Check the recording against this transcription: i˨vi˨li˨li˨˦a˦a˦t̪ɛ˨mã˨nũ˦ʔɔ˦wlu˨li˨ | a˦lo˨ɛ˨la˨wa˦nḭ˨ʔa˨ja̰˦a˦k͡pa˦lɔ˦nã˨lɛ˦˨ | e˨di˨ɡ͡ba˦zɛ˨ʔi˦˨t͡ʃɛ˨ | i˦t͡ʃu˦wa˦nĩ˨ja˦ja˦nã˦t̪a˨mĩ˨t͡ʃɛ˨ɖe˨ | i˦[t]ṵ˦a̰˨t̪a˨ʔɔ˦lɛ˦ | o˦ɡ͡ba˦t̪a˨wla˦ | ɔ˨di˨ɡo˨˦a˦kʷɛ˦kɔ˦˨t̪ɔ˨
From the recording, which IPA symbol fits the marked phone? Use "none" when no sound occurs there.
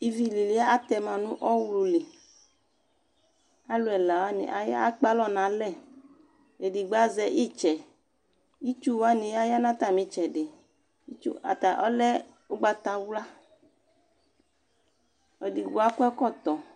t͡ʃ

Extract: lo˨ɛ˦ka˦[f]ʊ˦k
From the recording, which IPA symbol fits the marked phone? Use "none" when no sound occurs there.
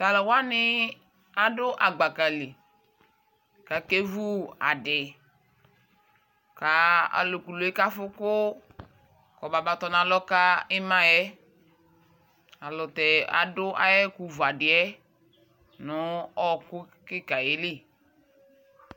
f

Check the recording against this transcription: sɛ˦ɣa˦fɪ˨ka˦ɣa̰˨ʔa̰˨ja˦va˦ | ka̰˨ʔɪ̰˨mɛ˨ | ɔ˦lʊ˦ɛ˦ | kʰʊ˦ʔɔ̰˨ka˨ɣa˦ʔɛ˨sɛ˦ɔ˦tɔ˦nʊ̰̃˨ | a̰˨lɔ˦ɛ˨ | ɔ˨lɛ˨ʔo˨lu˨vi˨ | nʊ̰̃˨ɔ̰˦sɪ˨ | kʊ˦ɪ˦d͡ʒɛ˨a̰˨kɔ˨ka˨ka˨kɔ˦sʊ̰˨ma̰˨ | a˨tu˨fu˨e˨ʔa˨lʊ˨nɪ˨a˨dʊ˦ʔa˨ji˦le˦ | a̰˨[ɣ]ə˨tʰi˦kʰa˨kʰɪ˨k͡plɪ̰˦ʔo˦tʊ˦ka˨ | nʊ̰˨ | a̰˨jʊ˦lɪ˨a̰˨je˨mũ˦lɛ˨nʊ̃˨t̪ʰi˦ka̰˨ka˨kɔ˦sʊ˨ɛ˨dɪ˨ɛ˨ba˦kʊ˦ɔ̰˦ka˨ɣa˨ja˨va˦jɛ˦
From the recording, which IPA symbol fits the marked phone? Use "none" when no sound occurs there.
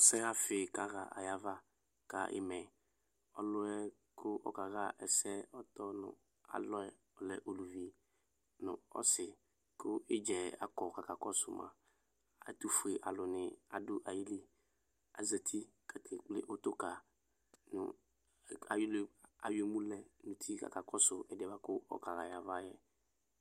z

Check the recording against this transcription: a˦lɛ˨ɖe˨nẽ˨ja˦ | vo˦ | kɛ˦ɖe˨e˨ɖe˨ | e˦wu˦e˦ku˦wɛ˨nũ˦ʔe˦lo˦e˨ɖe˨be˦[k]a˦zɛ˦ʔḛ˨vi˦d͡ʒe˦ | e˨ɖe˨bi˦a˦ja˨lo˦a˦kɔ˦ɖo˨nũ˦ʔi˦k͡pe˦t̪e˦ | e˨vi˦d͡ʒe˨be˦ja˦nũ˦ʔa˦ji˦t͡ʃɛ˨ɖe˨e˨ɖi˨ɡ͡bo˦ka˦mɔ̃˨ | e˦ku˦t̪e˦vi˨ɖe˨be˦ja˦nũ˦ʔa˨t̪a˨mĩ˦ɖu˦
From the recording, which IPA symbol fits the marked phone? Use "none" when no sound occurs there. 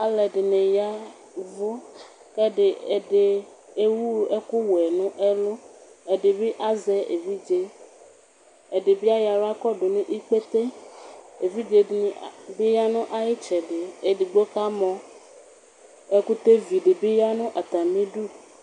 ʔ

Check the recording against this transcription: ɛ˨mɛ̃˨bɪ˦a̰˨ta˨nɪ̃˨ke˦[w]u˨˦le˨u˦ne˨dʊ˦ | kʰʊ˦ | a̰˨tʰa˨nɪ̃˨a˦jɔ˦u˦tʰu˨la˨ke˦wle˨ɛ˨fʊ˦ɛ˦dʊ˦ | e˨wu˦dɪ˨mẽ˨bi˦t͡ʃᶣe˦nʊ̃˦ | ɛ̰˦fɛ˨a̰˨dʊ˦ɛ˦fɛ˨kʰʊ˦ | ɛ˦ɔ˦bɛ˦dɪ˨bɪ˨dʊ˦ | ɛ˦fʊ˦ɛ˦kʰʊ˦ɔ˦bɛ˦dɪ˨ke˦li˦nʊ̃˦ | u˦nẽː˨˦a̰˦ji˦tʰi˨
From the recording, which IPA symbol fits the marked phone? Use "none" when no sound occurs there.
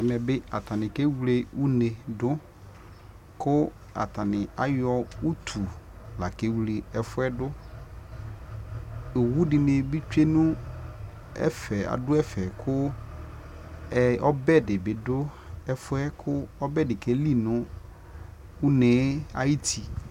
w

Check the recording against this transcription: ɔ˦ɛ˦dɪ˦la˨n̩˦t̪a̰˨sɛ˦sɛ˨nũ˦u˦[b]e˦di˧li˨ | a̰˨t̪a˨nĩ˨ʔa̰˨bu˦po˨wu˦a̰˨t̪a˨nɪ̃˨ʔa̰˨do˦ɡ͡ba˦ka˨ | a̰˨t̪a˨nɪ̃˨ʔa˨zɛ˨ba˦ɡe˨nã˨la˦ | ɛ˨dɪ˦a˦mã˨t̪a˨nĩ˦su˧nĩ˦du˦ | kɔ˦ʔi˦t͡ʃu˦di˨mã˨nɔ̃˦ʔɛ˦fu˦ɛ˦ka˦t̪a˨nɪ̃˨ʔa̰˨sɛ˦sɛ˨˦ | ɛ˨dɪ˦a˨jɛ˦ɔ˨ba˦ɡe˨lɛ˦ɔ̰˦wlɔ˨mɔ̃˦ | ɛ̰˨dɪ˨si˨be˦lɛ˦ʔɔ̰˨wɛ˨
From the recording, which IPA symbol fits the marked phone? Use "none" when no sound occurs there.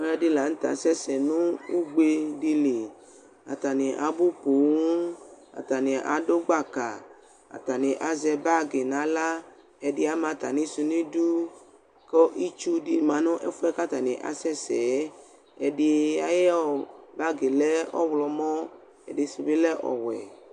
ɡ͡b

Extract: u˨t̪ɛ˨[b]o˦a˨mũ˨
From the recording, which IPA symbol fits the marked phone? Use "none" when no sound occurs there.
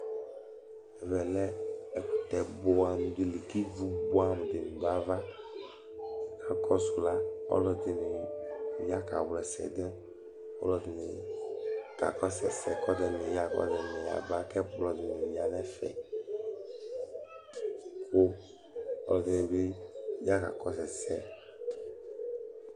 b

